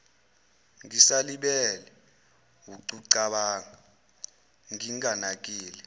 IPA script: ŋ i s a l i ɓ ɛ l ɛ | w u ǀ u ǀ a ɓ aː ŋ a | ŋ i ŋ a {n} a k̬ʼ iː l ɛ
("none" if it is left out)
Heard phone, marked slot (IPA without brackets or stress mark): n